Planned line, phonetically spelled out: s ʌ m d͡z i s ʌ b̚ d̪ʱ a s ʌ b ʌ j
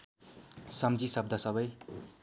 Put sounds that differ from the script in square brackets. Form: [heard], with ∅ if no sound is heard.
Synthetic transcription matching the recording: s ʌ m d͡z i s ʌ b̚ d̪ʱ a s ʌ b ʌ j